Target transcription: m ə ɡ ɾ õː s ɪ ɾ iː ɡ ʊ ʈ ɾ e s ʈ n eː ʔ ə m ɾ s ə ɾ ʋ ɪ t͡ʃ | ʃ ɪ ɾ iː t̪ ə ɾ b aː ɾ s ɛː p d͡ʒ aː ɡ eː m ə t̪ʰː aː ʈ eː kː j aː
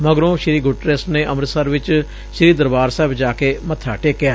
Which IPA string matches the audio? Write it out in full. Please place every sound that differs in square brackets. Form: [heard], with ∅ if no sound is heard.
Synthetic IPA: m ə ɡ ɾ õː [ʃ] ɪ ɾ iː ɡ ʊ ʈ ɾ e s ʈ n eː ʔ ə m ɾ s ə ɾ ʋ ɪ t͡ʃ | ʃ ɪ ɾ iː [d̪] ə ɾ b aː ɾ s ɛː [b] d͡ʒ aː [k] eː m ə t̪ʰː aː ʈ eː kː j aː